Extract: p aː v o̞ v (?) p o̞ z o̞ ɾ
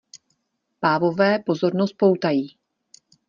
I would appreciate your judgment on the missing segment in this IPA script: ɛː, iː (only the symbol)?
ɛː